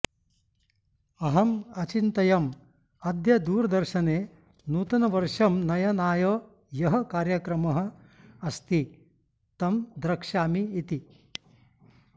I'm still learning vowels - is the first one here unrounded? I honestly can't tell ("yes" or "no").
yes